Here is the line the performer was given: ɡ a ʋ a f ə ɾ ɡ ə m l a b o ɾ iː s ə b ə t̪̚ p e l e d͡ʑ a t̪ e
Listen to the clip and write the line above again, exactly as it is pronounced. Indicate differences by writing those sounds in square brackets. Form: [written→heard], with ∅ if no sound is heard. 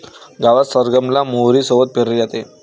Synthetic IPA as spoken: ɡ a ʋ a [f→s] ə ɾ ɡ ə m l a [b→m] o ɾ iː s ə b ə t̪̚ p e [l→ɾ] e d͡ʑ a t̪ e